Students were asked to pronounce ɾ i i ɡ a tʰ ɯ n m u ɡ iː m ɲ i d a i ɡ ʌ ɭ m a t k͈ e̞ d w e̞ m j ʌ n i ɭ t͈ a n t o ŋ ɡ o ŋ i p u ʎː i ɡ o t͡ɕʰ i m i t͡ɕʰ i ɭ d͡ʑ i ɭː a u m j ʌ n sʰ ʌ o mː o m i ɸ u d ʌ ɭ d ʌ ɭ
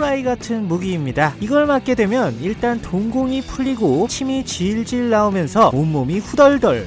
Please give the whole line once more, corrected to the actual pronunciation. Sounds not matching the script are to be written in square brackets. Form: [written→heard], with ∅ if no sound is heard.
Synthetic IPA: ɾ [i→a] i ɡ a tʰ ɯ n m u ɡ iː m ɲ i d a i ɡ ʌ ɭ m a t k͈ e̞ d w e̞ m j ʌ n i ɭ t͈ a n t o ŋ ɡ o ŋ i [p→pʰ] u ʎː i ɡ o t͡ɕʰ i m i [t͡ɕʰ→t͡ɕ] i ɭ d͡ʑ i ɭː a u m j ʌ n sʰ ʌ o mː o m i ɸ u d ʌ ɭ d ʌ ɭ